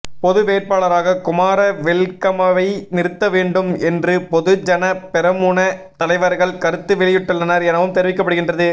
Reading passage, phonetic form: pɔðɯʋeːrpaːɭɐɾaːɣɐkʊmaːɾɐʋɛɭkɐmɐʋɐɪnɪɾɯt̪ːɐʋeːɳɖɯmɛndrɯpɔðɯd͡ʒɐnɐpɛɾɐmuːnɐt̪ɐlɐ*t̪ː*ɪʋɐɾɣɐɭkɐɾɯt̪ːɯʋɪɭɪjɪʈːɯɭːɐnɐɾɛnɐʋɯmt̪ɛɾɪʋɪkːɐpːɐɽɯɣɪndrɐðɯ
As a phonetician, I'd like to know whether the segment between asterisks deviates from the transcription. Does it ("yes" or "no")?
yes